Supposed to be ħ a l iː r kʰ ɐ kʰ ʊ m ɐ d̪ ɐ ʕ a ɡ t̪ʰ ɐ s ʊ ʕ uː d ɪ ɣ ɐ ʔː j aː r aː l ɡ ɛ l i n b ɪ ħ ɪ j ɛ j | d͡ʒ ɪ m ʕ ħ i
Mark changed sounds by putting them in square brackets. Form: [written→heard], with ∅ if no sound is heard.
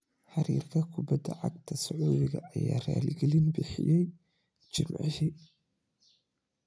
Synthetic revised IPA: ħ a [l→ɾ] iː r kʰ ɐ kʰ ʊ [m→b] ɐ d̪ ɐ ʕ a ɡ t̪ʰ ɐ s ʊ ʕ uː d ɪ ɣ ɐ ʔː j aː r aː l ɡ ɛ l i n b ɪ ħ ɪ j ɛ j | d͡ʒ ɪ m ʕ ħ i

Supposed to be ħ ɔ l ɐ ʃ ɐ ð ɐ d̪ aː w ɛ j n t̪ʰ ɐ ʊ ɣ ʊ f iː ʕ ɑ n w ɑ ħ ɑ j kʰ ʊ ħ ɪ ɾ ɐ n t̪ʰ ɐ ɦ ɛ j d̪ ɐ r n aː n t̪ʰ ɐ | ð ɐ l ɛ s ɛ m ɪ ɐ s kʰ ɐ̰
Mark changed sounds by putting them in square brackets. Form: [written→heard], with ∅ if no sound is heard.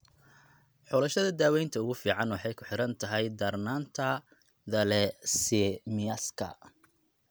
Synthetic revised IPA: ħ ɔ l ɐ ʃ ɐ ð ɐ d̪ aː w ɛ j n t̪ʰ ɐ ʊ ɣ ʊ f iː ʕ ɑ n w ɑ ħ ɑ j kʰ ʊ ħ ɪ ɾ ɐ n t̪ʰ ɐ ɦ ɛ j d̪ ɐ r n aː n t̪ʰ ɐ | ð ɐ l ɛ s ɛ m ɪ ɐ s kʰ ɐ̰

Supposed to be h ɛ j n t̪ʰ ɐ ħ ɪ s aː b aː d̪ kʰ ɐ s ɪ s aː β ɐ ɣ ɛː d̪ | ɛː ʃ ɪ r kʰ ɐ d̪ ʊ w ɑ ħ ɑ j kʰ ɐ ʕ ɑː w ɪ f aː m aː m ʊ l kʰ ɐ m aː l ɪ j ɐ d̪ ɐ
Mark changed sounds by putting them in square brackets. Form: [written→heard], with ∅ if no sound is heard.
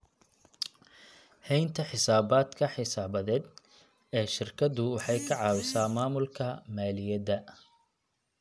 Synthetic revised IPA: h ɛ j n t̪ʰ ɐ ħ ɪ s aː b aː d̪ kʰ ɐ [s→ħ] ɪ s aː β ɐ [ɣ→ð] ɛː d̪ | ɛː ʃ ɪ r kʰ ɐ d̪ ʊ w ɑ ħ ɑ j kʰ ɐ ʕ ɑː w ɪ [f→s] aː m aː m ʊ l kʰ ɐ m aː l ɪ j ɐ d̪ ɐ

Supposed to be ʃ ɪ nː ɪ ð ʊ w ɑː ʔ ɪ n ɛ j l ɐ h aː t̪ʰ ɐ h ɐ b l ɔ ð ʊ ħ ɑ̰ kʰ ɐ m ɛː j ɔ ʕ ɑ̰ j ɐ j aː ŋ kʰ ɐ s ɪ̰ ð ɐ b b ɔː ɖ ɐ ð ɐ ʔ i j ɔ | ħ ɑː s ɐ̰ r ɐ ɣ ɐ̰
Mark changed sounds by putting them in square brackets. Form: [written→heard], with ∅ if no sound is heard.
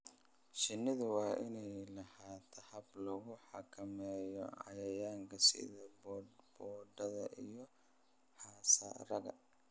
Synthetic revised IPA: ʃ ɪ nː ɪ ð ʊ w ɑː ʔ ɪ n ɛ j l ɐ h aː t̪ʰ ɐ h ɐ b l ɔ [ð→ɣ] ʊ ħ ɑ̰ kʰ ɐ m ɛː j ɔ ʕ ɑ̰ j ɐ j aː ŋ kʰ ɐ s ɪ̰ ð ɐ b b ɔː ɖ ɐ ð ɐ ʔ i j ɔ | ħ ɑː s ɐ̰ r ɐ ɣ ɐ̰

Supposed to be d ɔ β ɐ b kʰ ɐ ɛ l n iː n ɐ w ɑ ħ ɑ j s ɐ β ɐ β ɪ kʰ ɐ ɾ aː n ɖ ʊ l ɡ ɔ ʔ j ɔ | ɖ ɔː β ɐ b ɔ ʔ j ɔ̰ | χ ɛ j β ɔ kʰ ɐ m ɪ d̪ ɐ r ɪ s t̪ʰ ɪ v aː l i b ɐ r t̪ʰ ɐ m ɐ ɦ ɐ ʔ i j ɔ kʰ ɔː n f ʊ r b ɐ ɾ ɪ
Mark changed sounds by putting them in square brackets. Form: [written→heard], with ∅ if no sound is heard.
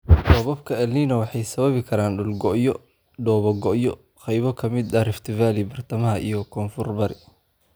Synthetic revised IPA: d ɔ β ɐ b kʰ ɐ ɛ l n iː n ɐ w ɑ ħ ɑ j s ɐ β ɐ β ɪ kʰ ɐ ɾ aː n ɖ ʊ l ɡ ɔ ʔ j ɔ | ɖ ɔː β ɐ [b→ɡ] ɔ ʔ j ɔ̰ | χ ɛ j β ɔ kʰ ɐ m ɪ d̪ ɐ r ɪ [s→f] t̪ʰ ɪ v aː l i b ɐ r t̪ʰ ɐ m ɐ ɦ ɐ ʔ i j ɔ kʰ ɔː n f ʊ r b ɐ ɾ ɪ

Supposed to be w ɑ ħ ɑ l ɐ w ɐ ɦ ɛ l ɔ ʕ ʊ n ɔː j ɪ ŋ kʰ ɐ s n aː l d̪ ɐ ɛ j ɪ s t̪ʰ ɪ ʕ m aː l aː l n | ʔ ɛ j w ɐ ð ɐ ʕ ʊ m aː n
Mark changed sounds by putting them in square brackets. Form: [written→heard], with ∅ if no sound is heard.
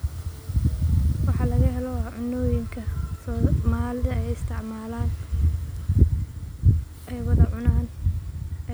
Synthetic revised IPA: w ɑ ħ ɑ l ɐ [w→ɣ] ɐ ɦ ɛ l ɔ ʕ ʊ n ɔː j ɪ ŋ kʰ ɐ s [n→m] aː l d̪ ɐ ɛ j ɪ s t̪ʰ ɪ ʕ m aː l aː [l→∅] n | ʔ ɛ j w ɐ ð ɐ ʕ ʊ [m→n] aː n

